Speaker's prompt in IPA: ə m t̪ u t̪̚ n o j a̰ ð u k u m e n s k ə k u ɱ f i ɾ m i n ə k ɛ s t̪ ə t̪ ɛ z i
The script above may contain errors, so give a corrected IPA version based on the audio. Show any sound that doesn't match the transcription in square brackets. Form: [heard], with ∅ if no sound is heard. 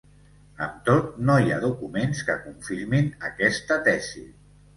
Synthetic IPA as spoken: ə m t̪ [o] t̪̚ n o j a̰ ð u k u m e n s k ə k u ɱ f i ɾ m i n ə k ɛ s t̪ ə t̪ ɛ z i